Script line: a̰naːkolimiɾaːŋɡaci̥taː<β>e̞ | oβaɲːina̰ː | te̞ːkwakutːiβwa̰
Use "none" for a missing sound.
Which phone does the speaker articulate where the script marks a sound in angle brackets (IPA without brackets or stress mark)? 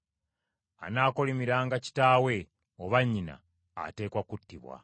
w